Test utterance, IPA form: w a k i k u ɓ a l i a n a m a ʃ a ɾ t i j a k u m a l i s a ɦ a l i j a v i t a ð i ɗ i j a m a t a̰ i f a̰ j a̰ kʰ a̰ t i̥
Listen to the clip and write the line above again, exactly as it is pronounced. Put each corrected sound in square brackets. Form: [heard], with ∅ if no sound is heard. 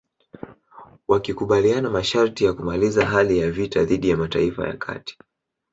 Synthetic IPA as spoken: w a k i k u ɓ a l i a n a m a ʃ a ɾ t i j a k u m a l i [z] a ɦ a l i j a v i t a ð i ɗ i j a m a t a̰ i f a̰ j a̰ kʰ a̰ t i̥